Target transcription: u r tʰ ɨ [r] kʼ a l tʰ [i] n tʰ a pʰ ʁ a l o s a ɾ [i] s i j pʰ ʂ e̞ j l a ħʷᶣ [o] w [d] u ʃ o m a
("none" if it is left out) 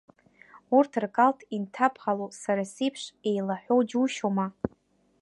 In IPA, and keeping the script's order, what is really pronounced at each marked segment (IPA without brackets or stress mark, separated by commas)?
r, i, a, o, d͡ʒ